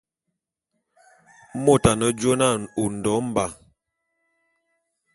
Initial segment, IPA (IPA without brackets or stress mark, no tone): m